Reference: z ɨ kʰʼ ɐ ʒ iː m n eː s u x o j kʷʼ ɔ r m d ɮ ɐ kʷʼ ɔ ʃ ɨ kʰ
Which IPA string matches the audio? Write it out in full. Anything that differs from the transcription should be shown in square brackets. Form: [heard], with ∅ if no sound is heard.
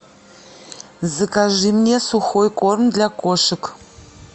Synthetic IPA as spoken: z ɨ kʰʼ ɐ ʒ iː m n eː s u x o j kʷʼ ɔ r m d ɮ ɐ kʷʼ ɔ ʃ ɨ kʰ